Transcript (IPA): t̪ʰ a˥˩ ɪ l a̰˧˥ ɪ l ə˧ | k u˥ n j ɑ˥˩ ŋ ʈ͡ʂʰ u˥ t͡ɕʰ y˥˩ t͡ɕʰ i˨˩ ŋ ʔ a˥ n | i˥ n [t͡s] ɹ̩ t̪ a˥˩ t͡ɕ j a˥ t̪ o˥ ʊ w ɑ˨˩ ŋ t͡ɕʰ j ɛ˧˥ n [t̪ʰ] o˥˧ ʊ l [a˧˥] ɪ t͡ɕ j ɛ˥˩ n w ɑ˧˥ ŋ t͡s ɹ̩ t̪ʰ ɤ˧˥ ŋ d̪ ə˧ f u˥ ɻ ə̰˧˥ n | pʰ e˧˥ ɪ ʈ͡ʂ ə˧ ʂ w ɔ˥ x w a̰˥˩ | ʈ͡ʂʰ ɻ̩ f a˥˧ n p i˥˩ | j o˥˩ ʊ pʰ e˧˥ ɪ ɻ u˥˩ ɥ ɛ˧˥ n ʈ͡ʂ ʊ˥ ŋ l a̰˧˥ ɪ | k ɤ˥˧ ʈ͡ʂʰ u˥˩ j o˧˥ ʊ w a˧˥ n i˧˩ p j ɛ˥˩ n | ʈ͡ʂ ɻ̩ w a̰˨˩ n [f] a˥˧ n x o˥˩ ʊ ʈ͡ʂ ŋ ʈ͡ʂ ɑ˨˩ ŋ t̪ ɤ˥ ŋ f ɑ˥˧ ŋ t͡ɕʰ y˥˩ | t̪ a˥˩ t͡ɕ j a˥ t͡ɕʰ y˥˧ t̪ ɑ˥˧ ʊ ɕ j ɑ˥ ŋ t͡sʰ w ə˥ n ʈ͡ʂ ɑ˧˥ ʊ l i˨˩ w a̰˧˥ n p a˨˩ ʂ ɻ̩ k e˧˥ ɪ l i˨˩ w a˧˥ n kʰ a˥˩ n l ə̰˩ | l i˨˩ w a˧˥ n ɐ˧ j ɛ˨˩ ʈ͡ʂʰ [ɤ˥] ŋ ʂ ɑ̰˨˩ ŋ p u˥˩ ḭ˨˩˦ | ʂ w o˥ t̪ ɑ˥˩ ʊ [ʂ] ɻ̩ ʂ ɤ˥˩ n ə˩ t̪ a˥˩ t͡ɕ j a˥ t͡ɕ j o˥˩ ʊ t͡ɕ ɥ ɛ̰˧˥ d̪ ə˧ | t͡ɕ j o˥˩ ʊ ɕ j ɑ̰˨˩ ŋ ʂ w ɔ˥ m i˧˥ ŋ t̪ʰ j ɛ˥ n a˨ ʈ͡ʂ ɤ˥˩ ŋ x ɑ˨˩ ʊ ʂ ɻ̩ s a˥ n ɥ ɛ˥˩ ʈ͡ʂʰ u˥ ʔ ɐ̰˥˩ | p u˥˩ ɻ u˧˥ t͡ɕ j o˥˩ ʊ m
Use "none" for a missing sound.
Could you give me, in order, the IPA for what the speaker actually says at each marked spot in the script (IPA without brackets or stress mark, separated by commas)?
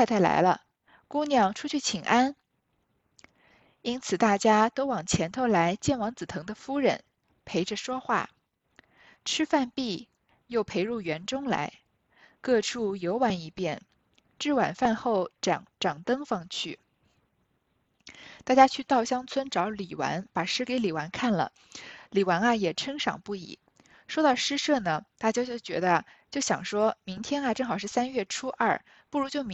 t͡sʰ, t̪ʰ, a˧˥, f, ɤ˥, ʂ